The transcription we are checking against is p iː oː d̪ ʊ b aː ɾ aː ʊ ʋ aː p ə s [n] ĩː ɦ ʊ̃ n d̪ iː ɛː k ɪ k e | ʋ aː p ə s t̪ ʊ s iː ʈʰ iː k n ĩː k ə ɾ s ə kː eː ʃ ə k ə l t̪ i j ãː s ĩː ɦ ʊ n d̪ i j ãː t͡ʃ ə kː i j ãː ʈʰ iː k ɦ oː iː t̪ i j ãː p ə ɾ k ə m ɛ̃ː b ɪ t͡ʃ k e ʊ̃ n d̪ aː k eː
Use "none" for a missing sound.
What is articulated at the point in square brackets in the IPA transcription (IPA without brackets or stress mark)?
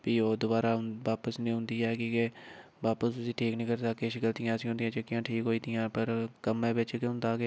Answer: n